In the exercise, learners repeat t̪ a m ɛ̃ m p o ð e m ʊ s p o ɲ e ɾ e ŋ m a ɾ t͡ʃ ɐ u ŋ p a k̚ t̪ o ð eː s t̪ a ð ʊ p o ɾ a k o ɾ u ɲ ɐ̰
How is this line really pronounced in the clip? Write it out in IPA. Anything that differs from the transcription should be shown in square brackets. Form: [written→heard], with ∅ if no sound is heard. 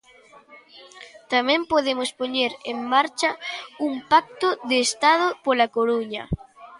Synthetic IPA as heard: t̪ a m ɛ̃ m p o ð e m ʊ s p o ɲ e ɾ e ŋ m a ɾ t͡ʃ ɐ u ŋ p a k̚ t̪ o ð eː s t̪ a ð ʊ p o [ɾ→l] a k o ɾ u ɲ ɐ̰